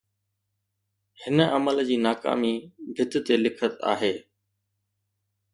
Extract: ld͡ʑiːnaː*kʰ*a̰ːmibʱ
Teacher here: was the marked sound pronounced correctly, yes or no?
no